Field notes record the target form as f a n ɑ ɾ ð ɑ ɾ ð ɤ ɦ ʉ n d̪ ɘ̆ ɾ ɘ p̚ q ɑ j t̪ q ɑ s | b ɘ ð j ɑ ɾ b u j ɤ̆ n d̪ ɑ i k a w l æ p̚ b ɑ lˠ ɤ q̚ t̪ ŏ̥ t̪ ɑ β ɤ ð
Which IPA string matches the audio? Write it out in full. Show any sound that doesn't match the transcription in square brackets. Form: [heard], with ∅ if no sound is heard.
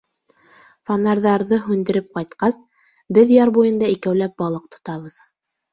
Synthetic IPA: f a n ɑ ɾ ð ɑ ɾ ð ɤ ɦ ʉ n d̪ ɘ̆ ɾ ɘ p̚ q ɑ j t̪ q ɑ s | b ɘ ð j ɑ ɾ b u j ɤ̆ n d̪ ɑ i k [æ] w l æ p̚ b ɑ lˠ ɤ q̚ t̪ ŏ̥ t̪ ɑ β ɤ ð

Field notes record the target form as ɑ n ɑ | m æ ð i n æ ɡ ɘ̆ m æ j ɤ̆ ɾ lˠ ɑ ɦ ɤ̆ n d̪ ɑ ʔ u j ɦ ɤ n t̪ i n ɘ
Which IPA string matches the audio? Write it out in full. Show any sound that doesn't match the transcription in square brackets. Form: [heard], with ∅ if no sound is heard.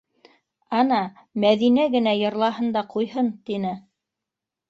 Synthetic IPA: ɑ n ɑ | m æ ð i n æ ɡ ɘ̆ [n] æ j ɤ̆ ɾ lˠ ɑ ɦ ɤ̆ n d̪ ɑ [q] u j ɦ ɤ n t̪ i n ɘ

